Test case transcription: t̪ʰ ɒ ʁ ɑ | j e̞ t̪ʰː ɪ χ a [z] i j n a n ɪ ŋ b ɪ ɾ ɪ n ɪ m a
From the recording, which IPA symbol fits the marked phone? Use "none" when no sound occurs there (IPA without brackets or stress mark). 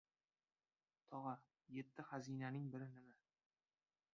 z